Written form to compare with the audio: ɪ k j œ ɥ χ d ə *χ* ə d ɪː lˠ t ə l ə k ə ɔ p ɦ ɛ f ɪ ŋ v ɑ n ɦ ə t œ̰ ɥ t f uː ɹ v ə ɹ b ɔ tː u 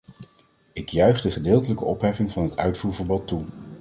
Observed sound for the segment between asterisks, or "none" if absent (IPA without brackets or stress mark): χ